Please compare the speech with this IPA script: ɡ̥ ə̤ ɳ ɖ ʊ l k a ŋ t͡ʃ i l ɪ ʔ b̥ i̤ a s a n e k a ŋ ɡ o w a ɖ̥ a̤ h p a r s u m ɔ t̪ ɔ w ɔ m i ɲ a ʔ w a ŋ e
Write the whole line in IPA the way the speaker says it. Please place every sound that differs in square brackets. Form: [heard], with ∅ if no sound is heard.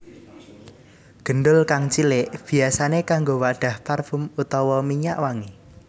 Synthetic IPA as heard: ɡ̥ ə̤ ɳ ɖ ʊ l k a ŋ t͡ʃ i l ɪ ʔ b̥ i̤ a s a n e k a ŋ ɡ o w a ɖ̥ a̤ h p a r [f] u m [u] t̪ ɔ w ɔ m i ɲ a ʔ w a ŋ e